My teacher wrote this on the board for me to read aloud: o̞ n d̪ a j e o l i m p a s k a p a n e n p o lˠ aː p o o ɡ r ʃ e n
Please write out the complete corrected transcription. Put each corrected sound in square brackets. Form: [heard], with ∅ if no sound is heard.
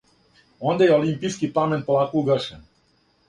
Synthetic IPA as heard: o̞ n d̪ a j e o l i m p [i] s k [i] p a [m] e n p o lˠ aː [k] o [u] ɡ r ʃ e n